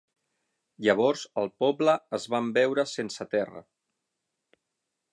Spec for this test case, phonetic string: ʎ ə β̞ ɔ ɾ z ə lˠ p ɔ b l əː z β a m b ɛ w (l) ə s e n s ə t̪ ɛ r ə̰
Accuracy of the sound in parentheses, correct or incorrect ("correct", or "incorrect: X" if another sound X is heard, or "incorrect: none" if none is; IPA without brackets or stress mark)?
incorrect: ɾ